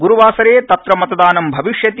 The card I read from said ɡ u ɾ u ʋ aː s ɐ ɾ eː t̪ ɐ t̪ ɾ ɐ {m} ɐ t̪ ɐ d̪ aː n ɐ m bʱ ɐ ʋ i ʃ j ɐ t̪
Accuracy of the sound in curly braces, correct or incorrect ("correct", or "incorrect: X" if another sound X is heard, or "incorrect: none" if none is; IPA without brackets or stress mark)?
correct